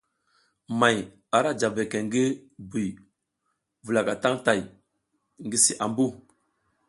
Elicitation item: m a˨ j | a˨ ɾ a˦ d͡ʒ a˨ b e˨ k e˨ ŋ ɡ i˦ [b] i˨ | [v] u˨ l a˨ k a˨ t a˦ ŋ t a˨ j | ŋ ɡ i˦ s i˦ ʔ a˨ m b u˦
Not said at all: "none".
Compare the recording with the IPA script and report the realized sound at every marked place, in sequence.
b, v

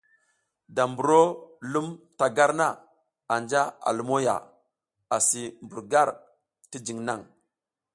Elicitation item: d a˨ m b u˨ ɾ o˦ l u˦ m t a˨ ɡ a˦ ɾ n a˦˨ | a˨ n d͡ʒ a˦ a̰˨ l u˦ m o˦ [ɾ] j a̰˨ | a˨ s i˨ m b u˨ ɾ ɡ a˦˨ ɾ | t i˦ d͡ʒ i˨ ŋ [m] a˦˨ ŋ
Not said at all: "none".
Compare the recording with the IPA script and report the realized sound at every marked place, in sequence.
none, n

